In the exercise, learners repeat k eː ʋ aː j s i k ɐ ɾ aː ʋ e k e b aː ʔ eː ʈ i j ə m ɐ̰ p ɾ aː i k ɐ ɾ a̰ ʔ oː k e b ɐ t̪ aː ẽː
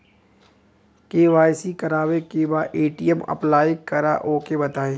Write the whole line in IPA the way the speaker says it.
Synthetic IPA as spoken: k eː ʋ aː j s i k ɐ ɾ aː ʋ e k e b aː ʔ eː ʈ i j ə m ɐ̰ p l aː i k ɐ ɾ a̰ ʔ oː k e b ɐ t̪ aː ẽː